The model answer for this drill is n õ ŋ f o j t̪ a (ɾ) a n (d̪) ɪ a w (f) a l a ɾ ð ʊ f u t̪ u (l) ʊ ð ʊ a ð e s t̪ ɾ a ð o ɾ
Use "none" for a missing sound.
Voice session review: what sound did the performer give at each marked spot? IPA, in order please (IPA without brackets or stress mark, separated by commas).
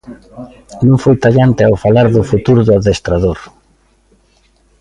ʎ, t̪, f, ɾ